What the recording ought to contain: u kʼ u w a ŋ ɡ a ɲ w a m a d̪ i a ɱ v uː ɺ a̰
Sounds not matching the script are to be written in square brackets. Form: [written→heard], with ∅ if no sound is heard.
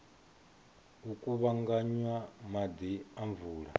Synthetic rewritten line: u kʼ u [w→β] a ŋ ɡ a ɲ w a m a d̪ i a ɱ v uː ɺ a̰